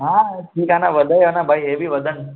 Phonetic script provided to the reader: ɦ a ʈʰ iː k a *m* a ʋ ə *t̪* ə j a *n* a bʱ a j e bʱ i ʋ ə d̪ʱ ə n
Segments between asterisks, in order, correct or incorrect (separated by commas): incorrect, incorrect, correct